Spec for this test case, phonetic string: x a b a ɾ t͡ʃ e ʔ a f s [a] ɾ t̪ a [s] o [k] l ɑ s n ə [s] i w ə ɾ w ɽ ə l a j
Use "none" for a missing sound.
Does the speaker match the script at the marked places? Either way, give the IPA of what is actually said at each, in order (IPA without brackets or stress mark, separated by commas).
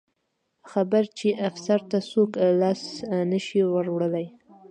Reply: a, s, k, ʃ